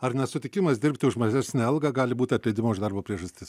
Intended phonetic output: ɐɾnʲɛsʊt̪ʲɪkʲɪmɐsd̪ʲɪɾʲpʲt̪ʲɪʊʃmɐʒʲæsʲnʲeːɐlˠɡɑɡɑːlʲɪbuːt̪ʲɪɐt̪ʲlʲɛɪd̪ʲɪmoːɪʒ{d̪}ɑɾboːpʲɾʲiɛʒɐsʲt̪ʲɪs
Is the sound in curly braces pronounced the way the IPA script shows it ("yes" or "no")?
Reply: yes